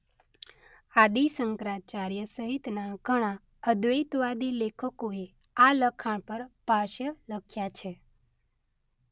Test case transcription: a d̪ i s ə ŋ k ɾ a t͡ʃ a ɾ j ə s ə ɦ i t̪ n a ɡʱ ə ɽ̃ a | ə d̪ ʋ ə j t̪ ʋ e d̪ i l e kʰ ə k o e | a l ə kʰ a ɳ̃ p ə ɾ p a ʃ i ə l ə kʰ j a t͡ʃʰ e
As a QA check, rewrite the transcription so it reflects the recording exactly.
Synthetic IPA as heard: a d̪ i s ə ŋ k ɾ a t͡ʃ a ɾ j ə s ə ɦ i t̪ n a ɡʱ ə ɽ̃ a | ə d̪ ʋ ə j t̪ ʋ a d̪ i l e kʰ ə k o e | a l ə kʰ a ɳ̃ p ə ɾ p a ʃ j ə l ə kʰ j a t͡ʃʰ e